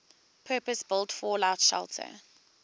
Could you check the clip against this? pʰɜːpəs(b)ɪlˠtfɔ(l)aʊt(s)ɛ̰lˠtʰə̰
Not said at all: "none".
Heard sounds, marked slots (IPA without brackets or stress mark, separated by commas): b, l, ʃ